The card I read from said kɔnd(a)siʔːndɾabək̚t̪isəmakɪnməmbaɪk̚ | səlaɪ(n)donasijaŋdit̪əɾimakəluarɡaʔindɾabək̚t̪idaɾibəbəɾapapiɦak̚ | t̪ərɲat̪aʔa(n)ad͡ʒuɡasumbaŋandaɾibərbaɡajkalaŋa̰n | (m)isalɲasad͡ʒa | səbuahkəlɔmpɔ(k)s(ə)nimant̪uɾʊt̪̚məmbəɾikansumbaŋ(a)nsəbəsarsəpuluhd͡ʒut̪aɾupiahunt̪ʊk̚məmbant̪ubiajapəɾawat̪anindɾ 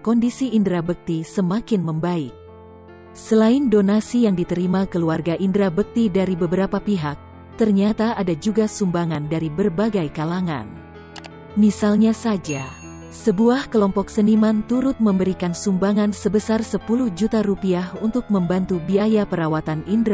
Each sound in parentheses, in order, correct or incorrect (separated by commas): incorrect, correct, incorrect, correct, correct, correct, correct